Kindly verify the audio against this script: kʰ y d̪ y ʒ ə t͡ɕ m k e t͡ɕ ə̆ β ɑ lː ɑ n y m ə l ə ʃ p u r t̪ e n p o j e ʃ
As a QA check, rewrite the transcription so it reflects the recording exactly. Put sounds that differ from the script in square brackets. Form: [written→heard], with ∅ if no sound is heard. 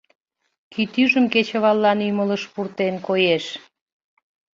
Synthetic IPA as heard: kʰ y [d̪→t̪] y ʒ ə [t͡ɕ→∅] m k e t͡ɕ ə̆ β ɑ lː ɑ n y m ə l ə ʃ p u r t̪ e n [p→k] o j e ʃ